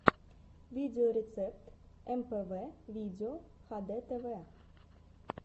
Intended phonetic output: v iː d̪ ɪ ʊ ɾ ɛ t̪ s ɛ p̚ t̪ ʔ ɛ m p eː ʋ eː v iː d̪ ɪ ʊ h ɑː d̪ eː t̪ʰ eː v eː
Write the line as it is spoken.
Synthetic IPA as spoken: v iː d̪ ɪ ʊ ɾ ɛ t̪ s ɛ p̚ t̪ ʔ ɛ m p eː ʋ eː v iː d̪ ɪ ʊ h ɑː d̪ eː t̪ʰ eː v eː